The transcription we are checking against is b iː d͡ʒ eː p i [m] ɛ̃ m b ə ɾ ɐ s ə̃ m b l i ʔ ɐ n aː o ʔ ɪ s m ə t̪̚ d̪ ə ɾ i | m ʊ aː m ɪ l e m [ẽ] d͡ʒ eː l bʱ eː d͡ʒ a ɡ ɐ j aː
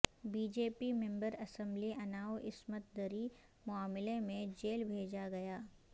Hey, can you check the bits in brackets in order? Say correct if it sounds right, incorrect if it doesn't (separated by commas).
correct, correct